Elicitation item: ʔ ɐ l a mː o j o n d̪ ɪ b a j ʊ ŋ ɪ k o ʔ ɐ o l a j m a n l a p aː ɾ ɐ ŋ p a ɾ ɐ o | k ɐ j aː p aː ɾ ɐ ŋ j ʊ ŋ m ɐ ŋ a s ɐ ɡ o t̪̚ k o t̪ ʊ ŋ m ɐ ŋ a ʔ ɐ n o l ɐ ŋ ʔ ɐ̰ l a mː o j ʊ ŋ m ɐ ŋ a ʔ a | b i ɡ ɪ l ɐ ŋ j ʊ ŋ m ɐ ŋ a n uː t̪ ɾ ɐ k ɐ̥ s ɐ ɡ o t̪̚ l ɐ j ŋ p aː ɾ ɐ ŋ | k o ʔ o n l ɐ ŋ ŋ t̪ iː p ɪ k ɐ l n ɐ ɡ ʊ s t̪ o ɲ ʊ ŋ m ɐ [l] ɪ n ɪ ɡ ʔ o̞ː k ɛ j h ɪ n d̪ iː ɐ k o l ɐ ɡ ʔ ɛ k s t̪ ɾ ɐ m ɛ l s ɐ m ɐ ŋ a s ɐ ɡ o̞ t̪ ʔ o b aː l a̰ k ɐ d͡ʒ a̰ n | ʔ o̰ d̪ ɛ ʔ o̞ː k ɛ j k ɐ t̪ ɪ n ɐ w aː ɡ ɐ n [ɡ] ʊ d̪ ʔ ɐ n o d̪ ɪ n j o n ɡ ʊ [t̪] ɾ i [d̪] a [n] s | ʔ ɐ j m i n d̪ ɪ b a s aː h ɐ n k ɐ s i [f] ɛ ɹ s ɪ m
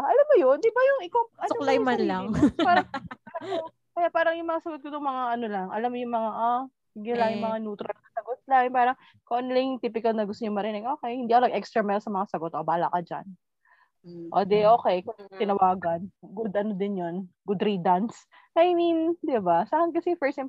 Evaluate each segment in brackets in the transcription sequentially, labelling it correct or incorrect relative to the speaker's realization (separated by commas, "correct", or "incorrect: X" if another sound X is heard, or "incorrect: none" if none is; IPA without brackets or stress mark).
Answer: incorrect: ɾ, correct, incorrect: d̪, correct, correct, correct